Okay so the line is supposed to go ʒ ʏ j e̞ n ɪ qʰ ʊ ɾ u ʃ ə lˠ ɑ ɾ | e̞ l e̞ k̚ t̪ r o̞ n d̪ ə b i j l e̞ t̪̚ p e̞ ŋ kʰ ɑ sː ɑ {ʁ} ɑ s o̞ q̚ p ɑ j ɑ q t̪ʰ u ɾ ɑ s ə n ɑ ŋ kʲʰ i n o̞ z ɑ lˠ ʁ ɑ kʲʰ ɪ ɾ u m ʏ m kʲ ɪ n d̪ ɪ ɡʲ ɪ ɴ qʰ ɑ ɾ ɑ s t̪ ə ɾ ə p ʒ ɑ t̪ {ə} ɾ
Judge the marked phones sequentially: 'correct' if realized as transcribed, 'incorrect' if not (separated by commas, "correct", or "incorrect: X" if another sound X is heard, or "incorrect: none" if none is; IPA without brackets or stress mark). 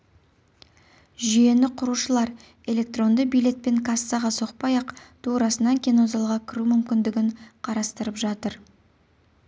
correct, correct